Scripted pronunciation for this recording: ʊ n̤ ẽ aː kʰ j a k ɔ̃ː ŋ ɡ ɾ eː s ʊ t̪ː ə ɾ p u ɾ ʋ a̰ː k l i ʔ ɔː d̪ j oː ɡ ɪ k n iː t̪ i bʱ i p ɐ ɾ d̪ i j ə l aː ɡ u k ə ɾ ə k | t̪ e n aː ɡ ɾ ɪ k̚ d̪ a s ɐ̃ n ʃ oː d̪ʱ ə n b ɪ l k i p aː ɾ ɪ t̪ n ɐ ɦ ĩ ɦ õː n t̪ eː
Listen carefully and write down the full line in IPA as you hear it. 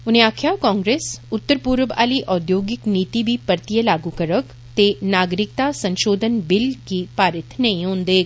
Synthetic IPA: ʊ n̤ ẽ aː kʰ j a k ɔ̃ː ŋ ɡ ɾ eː s ʊ t̪ː ə ɾ p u ɾ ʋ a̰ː l i ʔ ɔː d̪ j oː ɡ ɪ k n iː t̪ i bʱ i p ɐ ɾ t̪ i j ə l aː ɡ u k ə ɾ ə k | t̪ e n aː ɡ ɾ ɪ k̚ t̪ a s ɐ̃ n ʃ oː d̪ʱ ə n b ɪ l k i p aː ɾ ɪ t̪ n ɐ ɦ ĩ ɦ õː n d̪ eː